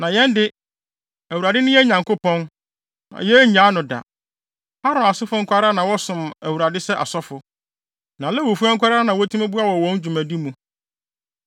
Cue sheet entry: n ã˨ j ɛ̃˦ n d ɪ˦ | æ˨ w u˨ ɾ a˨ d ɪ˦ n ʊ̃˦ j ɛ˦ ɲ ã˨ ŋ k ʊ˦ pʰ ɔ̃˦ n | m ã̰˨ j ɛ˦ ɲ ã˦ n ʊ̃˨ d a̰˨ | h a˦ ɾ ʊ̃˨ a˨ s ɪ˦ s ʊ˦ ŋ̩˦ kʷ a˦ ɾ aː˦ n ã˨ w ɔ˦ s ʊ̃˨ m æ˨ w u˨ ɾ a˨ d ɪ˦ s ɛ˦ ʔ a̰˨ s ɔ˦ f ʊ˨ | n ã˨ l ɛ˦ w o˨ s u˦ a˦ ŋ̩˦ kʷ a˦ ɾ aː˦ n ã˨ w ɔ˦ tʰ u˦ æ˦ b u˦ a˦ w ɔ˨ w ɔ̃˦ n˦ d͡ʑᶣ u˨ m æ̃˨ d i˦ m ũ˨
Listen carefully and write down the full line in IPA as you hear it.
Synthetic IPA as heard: n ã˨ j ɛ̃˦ n d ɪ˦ | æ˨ w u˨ ɾ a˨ d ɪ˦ n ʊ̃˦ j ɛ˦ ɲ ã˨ ŋ k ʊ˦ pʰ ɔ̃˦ n | n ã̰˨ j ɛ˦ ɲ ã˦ n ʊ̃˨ d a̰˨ | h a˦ ɾ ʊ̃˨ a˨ s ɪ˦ f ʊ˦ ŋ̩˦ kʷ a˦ ɾ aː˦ n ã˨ w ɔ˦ s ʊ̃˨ m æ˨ w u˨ ɾ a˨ d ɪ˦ s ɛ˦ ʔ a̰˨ s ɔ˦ f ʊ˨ | n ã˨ l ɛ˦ w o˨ f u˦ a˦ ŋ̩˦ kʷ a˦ ɾ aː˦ n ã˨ w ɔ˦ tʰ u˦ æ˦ b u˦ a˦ w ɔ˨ w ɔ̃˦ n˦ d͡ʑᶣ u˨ m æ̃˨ d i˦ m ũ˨